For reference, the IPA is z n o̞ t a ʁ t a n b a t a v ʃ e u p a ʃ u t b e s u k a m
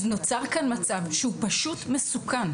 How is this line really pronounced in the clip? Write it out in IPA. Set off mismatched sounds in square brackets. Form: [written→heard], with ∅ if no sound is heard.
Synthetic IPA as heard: z n o̞ [t→t͡s] a ʁ [t→k] a n [b→m] a [t→t͡s] a v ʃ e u p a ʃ u t [b→m] e s u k a [m→n]